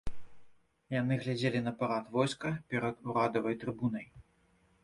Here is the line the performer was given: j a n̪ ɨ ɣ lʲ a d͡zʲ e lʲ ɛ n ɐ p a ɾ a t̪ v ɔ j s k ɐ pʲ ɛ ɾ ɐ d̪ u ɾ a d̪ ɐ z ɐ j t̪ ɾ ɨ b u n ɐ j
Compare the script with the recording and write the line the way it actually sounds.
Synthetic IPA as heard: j a n̪ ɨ ɣ lʲ a d͡zʲ e lʲ i n ɐ p a ɾ a t̪ v ɔ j s k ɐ pʲ ɛ ɾ ɐ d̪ u ɾ a d̪ ɐ v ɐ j t̪ ɾ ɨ b u n ɐ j